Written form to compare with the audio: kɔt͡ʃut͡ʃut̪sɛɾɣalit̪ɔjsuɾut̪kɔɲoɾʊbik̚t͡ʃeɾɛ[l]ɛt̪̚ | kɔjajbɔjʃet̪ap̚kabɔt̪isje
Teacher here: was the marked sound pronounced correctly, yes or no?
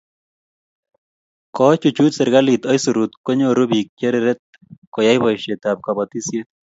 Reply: no